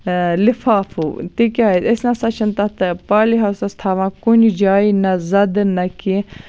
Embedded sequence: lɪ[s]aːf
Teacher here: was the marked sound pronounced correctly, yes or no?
no